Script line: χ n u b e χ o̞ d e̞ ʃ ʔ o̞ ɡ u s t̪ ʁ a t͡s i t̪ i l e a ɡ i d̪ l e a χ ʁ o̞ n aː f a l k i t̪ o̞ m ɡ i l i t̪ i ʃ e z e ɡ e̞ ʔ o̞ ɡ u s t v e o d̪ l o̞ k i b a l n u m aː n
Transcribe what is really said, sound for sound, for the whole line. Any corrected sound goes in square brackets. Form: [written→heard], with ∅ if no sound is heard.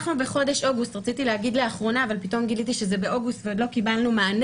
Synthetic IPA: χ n u b e χ o̞ d e̞ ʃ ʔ o̞ ɡ u s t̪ ʁ a t͡s i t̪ i l e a ɡ i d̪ l e a χ ʁ o̞ n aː [f→v] a l [k→p] i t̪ o̞ m ɡ i l i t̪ i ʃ e z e [ɡ→b] e̞ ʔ o̞ ɡ u s t v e o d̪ l o̞ k i b a l n u m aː n

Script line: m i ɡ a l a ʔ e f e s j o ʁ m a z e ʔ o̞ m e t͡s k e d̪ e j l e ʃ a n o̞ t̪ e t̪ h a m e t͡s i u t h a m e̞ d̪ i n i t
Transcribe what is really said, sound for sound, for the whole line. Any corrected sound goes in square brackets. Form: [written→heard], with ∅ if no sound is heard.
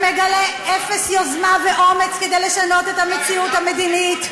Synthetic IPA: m [i→e] ɡ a l [a→e] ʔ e f e s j o [ʁ→z] m a [z→v] e ʔ o̞ m e t͡s k e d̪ e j l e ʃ a n o̞ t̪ e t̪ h a m e t͡s i u t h a m e̞ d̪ i n i t

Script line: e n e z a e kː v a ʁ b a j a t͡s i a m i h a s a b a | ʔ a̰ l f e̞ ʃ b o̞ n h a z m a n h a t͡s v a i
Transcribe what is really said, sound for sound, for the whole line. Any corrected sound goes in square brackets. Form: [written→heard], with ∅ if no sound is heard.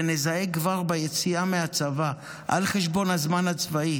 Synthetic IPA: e n e z a e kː v a ʁ b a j [a→e] t͡s i a m [i→e] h a [s→t͡s] a [b→v] a | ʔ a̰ l [f→χ] e̞ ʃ b o̞ n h a z m a n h a t͡s v a i

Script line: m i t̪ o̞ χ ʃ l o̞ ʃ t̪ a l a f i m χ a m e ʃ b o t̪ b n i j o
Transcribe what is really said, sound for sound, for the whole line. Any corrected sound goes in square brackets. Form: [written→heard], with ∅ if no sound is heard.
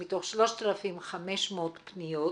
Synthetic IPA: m i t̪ o̞ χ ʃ l o̞ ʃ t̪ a l a f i m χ a m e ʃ [b→m] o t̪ [b→p] n i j o

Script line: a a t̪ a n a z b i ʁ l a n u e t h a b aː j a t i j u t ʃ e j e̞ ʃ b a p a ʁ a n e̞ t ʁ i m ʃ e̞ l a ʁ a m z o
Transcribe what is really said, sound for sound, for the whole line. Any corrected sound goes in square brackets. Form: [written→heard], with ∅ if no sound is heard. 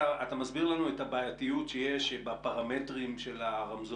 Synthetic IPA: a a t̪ a [n→m] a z b i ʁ l a n u e t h a b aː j a t i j u t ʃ e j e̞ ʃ b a p a ʁ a [n→m] e̞ t ʁ i m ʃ e̞ l a ʁ a m z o

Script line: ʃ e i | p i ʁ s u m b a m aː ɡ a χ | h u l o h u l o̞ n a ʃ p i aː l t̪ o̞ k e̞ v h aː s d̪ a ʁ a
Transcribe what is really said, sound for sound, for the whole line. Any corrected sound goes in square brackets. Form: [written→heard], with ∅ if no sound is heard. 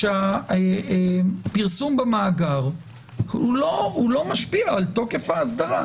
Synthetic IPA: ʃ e [i→a] | p i ʁ s u m b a m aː ɡ a [χ→ʁ] | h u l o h u l o̞ [n→m] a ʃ p i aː l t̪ o̞ k e̞ [v→f] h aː s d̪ a ʁ a

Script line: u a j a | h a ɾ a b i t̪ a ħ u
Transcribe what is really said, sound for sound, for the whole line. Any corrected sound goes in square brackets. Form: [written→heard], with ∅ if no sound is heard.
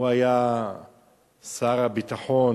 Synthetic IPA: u a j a | [h→s] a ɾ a b i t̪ a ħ [u→o]

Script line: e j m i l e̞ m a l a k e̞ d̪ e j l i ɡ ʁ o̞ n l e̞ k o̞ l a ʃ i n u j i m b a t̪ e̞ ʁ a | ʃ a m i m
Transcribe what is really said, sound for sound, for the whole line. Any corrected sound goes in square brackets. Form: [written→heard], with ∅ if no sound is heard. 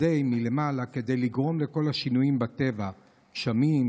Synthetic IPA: e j m i l e̞ m a l a k e̞ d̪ e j l i ɡ ʁ o̞ [n→m] l e̞ k o̞ l a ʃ i n u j i m b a t̪ e̞ [ʁ→v] a | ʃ a m i m

